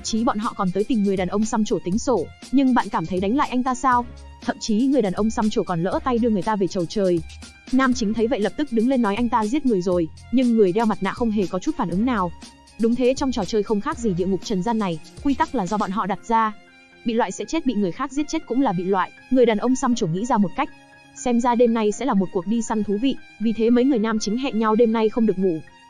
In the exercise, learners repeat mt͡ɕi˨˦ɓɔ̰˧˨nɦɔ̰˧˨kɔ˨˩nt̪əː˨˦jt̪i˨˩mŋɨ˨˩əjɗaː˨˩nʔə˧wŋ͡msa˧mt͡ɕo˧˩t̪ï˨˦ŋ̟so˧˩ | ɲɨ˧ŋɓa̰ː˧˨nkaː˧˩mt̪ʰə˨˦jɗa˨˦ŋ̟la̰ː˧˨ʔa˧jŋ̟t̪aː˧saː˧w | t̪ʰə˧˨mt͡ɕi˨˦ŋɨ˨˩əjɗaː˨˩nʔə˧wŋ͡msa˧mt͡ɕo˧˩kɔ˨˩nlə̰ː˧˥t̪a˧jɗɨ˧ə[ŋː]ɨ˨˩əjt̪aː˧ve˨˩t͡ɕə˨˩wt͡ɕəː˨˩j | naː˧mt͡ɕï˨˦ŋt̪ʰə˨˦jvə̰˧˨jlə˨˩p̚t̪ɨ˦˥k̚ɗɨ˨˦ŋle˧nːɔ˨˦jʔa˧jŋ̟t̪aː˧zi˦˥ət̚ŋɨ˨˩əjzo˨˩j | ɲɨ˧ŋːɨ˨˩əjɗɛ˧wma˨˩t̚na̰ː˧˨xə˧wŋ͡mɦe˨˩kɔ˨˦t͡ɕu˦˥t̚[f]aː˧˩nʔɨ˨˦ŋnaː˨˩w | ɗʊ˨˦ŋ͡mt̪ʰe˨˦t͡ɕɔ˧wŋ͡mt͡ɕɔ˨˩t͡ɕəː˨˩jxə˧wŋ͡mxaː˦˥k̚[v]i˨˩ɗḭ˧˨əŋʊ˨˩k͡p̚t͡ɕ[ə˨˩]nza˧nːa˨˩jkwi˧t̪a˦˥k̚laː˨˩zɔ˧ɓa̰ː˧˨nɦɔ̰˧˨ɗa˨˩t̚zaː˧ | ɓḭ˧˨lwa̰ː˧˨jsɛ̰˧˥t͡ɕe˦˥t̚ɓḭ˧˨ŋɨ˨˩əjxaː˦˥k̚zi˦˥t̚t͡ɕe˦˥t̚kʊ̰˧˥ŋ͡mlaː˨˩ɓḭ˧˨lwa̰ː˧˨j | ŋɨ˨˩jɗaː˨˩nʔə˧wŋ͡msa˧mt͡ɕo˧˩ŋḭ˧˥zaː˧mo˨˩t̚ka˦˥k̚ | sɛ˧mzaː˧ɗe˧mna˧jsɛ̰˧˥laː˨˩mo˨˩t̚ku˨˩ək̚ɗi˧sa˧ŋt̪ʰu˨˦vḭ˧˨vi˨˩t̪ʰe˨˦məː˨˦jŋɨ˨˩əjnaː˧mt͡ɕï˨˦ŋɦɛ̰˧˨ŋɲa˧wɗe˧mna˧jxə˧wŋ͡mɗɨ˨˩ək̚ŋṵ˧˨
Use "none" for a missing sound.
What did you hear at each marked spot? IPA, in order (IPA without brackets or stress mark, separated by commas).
ŋ, f, z, ə˨˩